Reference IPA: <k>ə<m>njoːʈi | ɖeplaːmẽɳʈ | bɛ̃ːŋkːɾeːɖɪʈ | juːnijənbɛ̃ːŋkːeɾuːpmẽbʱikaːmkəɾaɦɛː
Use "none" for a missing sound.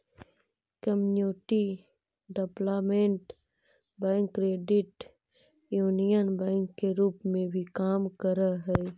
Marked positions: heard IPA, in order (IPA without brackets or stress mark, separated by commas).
k, m